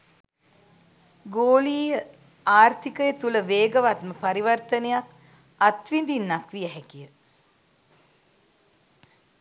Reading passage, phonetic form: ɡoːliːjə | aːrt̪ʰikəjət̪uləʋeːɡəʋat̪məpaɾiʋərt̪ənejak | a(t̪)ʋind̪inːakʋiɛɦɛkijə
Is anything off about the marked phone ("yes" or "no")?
no